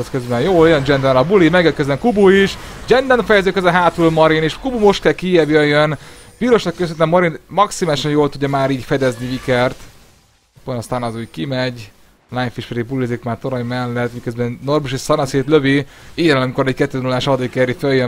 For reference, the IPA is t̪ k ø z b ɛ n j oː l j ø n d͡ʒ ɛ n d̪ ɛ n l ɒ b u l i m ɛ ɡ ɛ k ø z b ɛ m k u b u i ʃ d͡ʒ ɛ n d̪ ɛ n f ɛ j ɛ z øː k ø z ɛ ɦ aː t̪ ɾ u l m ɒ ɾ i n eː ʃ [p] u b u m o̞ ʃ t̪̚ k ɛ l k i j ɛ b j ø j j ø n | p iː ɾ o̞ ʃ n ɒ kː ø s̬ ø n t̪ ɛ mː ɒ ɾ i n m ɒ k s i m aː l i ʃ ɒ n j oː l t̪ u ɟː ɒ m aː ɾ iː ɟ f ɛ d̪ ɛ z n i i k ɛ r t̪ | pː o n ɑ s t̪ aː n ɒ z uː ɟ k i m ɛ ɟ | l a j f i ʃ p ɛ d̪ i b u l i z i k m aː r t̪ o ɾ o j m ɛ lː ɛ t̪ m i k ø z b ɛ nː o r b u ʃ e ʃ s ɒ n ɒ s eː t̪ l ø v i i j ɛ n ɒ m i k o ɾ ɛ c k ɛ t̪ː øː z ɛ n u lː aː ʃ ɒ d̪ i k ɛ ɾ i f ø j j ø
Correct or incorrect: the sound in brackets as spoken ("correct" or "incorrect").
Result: incorrect